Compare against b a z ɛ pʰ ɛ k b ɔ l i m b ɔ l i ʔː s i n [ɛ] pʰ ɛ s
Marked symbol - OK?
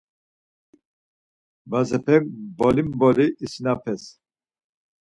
no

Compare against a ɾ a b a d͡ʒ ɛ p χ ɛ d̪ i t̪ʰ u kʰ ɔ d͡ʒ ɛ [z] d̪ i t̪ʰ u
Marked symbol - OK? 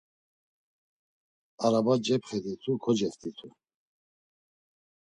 no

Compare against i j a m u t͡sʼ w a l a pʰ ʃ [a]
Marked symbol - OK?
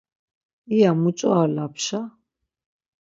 yes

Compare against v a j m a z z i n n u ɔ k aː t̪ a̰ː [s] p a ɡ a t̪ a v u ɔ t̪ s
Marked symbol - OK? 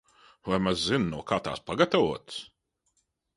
yes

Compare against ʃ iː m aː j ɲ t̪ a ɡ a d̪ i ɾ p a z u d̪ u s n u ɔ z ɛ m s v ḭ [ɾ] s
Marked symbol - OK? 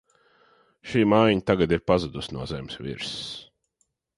yes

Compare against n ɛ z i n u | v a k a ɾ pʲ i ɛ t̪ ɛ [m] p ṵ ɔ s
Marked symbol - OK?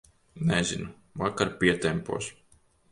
yes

